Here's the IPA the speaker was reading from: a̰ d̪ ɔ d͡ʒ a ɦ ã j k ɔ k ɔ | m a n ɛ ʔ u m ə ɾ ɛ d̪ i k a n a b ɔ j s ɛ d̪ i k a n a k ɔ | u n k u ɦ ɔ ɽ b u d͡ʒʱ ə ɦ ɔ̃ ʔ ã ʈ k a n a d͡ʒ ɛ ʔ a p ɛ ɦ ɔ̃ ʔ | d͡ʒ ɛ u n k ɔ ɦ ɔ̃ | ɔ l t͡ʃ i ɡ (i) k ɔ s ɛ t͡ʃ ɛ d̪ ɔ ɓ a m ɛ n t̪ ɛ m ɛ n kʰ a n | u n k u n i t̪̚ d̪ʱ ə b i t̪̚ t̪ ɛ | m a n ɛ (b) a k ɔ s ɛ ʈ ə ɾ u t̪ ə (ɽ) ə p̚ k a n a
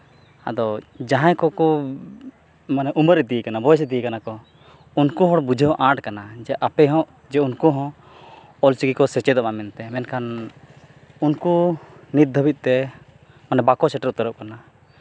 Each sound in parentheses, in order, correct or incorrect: correct, correct, incorrect

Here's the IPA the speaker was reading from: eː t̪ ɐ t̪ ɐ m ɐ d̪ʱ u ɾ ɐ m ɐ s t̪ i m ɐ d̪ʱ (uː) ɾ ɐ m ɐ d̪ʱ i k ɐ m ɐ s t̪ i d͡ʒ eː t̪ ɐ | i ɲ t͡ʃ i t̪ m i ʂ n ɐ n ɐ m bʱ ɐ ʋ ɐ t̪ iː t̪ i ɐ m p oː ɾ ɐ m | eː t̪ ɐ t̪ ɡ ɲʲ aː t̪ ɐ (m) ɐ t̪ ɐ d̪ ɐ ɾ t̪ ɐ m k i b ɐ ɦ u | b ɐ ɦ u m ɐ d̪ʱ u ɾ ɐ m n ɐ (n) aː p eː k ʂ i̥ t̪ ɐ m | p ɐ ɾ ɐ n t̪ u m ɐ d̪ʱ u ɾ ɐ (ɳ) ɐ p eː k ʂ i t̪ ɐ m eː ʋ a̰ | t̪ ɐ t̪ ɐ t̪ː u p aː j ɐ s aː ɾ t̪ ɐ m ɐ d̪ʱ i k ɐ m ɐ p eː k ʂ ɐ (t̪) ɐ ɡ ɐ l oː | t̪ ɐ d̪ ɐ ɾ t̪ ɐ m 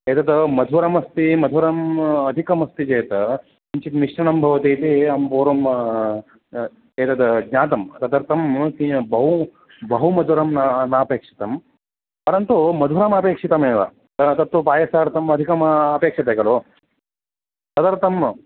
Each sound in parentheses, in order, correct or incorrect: incorrect, correct, correct, incorrect, correct

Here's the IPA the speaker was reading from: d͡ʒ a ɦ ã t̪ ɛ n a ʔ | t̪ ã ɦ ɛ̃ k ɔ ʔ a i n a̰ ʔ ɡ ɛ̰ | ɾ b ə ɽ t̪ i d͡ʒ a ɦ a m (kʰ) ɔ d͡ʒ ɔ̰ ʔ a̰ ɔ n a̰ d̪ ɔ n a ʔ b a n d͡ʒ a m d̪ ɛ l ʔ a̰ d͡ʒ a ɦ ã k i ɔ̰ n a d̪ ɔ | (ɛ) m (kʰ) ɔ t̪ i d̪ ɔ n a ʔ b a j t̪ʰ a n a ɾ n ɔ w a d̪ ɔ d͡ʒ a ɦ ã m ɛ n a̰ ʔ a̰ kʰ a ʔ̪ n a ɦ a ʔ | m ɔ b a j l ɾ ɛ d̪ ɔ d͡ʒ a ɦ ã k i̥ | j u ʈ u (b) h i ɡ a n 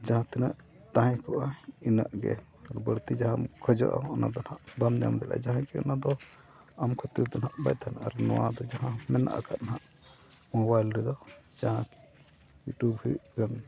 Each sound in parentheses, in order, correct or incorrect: correct, incorrect, correct, correct

